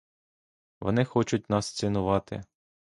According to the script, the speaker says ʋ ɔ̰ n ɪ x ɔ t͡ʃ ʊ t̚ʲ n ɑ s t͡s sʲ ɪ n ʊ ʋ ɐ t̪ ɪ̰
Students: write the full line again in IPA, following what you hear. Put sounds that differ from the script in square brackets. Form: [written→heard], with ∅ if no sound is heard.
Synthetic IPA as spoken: ʋ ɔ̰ n ɪ x ɔ t͡ʃ ʊ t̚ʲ n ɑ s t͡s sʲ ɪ n ʊ ʋ [ɐ→ɑ] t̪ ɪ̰